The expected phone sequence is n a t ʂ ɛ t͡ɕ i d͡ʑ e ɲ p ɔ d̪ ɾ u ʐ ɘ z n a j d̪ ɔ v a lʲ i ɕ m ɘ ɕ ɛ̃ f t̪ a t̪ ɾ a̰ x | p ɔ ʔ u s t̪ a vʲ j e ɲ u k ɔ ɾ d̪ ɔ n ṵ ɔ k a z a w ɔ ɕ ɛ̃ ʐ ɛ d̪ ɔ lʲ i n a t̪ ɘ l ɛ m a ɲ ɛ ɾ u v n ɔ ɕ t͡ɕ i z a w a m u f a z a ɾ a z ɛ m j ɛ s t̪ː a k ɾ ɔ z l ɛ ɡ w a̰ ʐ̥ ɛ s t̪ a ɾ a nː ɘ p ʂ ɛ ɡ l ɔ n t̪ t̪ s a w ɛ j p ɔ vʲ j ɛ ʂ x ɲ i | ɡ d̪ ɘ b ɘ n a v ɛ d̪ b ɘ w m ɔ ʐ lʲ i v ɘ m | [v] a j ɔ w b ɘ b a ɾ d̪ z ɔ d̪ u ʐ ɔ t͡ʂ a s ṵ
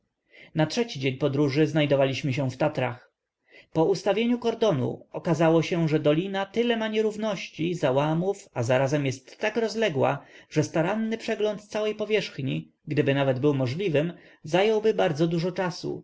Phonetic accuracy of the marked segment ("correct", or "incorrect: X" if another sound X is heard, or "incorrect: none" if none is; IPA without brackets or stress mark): incorrect: z